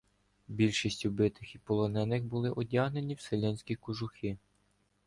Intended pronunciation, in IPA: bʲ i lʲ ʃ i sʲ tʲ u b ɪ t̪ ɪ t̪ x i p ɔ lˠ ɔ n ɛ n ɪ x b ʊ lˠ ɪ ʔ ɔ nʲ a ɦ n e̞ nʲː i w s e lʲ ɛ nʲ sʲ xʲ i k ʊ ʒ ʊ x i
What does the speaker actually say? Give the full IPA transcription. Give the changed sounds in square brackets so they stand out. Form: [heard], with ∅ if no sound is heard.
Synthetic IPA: bʲ i lʲ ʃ i sʲ tʲ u b ɪ t̪ ɪ [∅] x i p ɔ lˠ ɔ n ɛ n ɪ x b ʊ lˠ ɪ ʔ ɔ [dʲ] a ɦ n e̞ [nʲ] i w s e lʲ ɛ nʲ sʲ [kʲ] i k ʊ ʒ ʊ x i